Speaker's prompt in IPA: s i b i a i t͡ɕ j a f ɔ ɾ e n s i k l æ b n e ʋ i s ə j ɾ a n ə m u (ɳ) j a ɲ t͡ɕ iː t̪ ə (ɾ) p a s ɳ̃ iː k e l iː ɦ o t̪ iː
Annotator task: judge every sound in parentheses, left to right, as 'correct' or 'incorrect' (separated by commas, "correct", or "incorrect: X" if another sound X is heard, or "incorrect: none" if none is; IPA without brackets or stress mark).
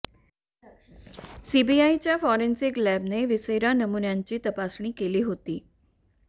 incorrect: n, incorrect: none